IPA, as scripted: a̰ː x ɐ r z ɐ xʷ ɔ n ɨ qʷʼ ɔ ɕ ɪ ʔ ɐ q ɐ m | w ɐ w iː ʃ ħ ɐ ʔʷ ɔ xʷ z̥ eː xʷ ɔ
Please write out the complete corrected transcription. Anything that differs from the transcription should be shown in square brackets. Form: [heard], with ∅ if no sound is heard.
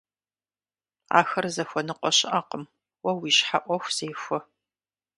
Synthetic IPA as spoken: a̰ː x ɐ r z ɐ xʷ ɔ n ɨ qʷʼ ɔ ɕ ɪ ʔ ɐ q [ə] m | w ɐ w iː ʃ ħ [a] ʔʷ ɔ xʷ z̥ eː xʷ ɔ